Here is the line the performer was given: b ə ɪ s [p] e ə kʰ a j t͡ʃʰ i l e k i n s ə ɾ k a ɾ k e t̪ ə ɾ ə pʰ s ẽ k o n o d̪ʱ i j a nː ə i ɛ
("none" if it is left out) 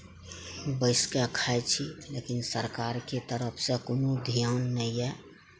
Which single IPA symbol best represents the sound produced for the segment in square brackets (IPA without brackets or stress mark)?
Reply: k